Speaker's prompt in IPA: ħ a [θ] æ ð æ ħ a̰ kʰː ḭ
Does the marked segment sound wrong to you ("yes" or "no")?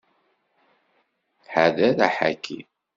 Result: yes